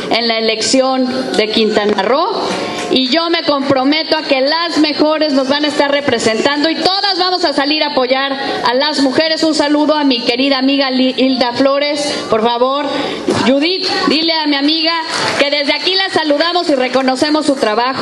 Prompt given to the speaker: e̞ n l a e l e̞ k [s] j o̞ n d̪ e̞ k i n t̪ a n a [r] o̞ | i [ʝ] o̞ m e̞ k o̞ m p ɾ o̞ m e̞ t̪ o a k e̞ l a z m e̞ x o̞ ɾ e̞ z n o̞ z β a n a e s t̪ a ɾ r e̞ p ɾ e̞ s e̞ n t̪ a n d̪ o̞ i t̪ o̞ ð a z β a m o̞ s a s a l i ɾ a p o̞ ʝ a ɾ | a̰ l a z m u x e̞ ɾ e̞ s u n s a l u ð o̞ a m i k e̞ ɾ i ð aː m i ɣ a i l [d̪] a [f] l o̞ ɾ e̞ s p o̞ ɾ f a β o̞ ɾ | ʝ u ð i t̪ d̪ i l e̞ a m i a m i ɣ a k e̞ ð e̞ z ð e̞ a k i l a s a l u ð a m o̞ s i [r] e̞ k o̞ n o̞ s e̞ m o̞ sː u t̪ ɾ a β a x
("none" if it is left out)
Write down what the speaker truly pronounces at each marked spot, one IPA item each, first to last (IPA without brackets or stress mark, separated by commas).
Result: s, r, ʝ, d̪, f, r